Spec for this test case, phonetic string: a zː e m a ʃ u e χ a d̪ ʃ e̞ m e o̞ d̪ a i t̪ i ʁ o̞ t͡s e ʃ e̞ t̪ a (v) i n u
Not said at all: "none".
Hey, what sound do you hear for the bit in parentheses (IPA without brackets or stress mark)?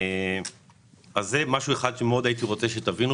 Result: v